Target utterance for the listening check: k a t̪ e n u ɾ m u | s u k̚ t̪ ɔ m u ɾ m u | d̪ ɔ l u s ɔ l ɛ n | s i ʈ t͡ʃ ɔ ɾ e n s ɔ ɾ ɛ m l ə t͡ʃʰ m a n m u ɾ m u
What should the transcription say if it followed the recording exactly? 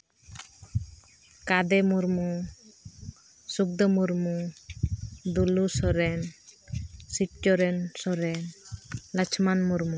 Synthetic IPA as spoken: k a d̪ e m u ɾ m u | s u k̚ d̪ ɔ m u ɾ m u | d̪ u l u s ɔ ɾ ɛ n | s i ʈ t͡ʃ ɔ ɾ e n s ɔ ɾ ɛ n l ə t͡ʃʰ m a n m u ɾ m u